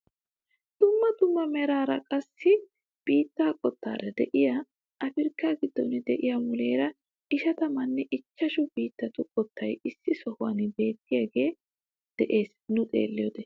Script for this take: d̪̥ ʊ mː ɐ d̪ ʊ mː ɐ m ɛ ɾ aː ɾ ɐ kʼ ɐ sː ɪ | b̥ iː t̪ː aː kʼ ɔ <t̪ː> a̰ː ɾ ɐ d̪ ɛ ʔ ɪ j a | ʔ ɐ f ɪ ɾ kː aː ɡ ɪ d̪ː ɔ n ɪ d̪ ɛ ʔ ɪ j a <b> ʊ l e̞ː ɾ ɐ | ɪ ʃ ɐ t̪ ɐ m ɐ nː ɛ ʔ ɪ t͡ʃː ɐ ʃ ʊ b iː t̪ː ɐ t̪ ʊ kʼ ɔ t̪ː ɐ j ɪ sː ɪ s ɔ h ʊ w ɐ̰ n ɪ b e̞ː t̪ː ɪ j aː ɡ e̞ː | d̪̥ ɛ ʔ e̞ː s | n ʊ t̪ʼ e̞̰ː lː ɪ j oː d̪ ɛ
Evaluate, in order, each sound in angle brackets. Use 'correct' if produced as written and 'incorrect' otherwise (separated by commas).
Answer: correct, incorrect